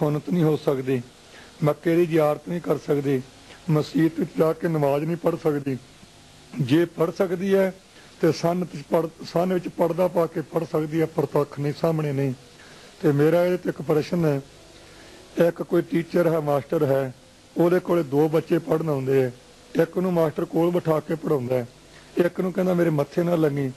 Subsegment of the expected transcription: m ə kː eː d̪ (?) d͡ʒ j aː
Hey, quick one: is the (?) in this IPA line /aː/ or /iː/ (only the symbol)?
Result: iː